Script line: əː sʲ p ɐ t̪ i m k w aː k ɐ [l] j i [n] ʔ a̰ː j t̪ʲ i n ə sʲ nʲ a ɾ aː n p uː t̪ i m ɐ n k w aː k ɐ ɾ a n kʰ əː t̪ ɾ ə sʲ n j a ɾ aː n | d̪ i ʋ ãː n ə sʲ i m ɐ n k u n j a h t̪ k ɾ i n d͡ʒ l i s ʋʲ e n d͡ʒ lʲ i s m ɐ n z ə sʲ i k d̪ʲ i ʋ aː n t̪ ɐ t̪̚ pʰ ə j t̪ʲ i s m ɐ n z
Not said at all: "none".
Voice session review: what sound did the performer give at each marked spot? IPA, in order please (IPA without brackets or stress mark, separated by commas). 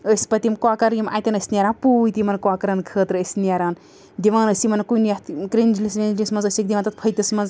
ɾ, m